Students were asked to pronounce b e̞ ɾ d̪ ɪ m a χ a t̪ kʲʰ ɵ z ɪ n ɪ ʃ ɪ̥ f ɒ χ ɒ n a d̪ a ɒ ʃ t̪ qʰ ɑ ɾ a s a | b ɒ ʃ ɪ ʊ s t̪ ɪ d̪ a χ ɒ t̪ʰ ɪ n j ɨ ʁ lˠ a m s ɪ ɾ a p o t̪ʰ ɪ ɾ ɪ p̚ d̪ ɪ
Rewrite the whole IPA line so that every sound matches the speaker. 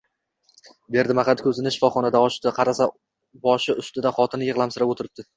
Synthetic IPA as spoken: b e̞ ɾ d̪ ɪ m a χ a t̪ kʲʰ ɵ z ɪ n ɪ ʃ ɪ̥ f ɒ χ ɒ n a d̪ a ɒ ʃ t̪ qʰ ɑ ɾ a s a | b ɒ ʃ ɪ ʊ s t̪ ɪ d̪ a χ ɒ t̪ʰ ɪ n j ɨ ʁ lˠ a m s ɪ ɾ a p o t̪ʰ ɪ ɾ ɪ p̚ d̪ ɪ